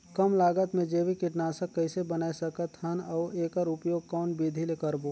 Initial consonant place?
velar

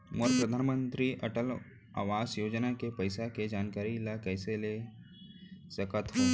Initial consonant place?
labial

